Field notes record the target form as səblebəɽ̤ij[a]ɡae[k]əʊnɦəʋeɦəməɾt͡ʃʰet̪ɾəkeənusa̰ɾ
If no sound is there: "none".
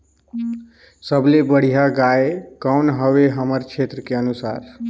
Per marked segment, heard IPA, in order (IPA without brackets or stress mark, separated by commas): a, k